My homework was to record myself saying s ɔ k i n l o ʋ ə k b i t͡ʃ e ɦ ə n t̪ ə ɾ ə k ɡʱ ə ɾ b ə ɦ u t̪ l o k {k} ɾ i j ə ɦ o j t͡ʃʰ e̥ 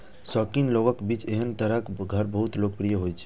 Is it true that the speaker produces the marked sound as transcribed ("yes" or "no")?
no